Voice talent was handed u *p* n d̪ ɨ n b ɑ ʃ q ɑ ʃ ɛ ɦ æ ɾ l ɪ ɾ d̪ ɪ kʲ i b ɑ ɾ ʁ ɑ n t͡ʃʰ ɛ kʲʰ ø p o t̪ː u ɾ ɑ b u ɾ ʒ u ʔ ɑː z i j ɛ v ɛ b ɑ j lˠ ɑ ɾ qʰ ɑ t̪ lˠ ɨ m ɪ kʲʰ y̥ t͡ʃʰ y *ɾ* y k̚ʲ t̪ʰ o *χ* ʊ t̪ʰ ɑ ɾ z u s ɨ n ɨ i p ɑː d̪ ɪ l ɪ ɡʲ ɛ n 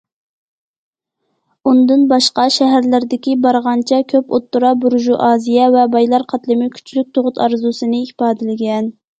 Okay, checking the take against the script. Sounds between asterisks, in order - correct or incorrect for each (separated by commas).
incorrect, incorrect, incorrect